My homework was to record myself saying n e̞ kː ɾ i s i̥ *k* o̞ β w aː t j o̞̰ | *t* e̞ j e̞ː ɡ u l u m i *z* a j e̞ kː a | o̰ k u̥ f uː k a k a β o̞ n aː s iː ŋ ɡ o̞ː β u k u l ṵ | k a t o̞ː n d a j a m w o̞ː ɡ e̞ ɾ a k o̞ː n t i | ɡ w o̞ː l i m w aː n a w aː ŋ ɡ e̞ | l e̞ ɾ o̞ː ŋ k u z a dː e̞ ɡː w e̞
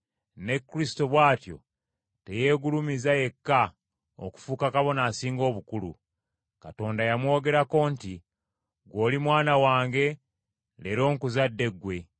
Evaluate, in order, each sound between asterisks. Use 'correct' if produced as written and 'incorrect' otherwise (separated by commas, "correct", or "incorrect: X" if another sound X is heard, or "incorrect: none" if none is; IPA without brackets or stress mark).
incorrect: t, correct, correct